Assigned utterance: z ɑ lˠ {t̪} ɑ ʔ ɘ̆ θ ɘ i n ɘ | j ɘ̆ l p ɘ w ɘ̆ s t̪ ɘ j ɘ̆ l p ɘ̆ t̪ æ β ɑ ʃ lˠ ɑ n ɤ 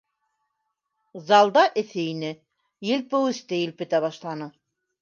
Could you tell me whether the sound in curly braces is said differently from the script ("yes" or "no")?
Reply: yes